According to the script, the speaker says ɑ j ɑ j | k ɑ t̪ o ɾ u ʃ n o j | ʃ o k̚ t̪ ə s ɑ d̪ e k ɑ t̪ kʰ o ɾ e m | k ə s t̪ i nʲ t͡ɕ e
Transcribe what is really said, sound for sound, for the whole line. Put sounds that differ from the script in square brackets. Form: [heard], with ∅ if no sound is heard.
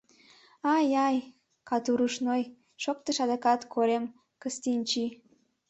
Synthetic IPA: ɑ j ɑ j | k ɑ t̪ [u] ɾ u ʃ n o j | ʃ o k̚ t̪ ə [ʃ] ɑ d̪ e k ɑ t̪ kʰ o ɾ e m | k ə s t̪ i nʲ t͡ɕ [i]